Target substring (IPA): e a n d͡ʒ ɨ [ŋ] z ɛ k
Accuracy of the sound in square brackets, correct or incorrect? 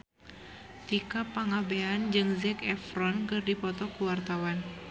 correct